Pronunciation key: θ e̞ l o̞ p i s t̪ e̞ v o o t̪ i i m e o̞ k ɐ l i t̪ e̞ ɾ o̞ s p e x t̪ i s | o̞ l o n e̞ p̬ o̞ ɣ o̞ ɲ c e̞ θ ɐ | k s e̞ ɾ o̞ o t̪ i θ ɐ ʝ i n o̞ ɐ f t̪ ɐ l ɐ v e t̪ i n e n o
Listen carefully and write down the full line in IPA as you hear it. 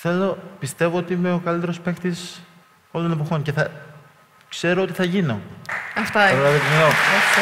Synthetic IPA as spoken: θ e̞ l o̞ p i s t̪ e̞ v o o t̪ i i m e o̞ k ɐ l i t̪ e̞ ɾ o̞ s p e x t̪ i s | o̞ l o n e̞ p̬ o̞ x o̞ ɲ c e̞ θ ɐ | k s e̞ ɾ o̞ o t̪ i θ ɐ ʝ i n o̞ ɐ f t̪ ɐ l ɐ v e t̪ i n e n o